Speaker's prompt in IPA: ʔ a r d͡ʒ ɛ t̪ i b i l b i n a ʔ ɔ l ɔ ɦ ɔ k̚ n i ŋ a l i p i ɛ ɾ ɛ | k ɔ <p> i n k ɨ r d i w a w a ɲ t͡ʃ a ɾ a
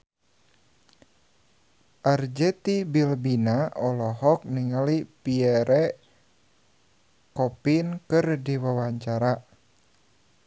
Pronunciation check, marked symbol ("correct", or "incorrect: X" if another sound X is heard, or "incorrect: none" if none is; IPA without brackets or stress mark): correct